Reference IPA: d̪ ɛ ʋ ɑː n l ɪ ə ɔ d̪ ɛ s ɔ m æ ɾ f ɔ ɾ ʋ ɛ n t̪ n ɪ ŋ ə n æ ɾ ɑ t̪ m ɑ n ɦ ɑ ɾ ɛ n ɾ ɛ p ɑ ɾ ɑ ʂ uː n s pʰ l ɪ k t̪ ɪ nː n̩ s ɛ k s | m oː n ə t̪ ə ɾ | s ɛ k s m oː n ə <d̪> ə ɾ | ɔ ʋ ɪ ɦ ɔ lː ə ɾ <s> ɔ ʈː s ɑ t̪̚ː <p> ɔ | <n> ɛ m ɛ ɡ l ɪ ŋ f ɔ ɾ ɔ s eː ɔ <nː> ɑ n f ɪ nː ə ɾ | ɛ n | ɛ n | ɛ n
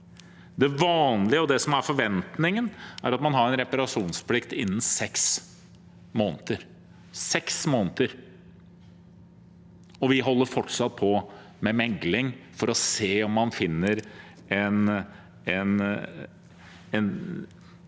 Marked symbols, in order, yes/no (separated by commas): no, no, no, no, no